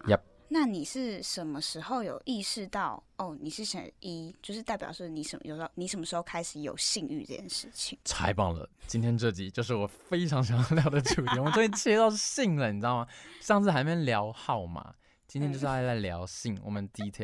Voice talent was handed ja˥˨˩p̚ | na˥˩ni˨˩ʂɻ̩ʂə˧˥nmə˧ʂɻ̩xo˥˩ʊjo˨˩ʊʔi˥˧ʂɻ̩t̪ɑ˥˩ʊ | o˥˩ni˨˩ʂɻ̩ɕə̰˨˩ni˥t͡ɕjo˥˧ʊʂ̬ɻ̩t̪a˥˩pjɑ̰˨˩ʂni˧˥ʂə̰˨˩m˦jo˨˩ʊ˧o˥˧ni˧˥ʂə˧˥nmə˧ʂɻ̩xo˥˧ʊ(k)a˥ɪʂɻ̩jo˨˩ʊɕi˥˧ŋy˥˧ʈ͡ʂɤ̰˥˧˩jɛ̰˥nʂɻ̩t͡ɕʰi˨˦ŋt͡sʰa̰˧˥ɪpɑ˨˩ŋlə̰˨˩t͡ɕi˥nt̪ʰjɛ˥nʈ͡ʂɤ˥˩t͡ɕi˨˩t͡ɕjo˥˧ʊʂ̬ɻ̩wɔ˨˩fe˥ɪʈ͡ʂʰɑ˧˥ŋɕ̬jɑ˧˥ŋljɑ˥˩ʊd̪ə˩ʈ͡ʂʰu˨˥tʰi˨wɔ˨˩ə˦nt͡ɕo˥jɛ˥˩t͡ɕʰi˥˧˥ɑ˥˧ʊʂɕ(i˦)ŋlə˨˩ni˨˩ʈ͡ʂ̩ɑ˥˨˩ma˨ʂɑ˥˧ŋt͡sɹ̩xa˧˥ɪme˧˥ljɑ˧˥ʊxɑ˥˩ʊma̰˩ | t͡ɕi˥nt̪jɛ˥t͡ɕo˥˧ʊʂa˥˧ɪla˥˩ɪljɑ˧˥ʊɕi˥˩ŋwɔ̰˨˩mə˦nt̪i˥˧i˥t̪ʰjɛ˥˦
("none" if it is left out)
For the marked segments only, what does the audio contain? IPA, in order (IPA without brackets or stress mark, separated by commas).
kʰ, i˥˩